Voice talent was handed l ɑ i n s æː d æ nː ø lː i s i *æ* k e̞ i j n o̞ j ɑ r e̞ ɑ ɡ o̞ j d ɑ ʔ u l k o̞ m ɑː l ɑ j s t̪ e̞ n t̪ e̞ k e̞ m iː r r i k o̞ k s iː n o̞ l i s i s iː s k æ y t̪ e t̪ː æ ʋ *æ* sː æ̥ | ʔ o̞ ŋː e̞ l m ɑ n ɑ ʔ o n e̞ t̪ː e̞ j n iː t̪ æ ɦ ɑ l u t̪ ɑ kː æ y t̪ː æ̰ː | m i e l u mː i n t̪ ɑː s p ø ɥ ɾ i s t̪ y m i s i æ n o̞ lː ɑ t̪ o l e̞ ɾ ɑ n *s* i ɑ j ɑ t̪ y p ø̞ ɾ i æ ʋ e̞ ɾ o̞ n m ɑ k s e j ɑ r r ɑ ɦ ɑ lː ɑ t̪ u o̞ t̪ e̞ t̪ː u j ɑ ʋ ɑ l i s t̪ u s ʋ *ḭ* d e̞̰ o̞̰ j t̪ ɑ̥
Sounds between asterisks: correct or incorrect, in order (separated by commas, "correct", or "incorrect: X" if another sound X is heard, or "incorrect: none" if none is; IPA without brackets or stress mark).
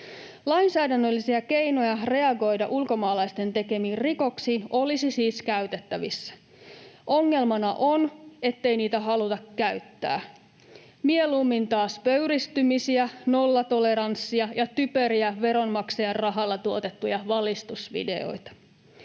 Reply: correct, incorrect: i, incorrect: sː, correct